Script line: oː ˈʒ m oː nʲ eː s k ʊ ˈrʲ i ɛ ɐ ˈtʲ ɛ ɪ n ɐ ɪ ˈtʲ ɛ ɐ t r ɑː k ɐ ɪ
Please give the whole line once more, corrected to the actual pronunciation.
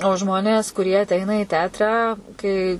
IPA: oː ˈʒ m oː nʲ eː s k ʊ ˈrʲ i ɛ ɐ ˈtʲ ɛ ɪ n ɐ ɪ ˈtʲ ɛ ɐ t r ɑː k ɐ ɪ